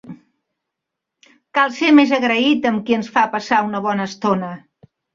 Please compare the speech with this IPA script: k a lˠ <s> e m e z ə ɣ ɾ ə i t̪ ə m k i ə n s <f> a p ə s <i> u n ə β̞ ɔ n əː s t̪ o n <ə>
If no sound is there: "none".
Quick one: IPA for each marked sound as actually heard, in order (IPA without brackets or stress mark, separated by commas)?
s, f, a, ə